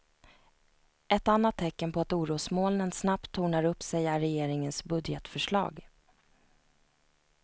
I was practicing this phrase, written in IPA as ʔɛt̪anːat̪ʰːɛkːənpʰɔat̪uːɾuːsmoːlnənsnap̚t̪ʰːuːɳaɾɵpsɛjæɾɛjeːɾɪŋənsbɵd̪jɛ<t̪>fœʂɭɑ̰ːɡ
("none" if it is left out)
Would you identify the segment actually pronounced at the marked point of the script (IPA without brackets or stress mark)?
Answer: t̪